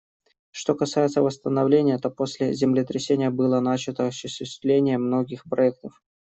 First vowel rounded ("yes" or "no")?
yes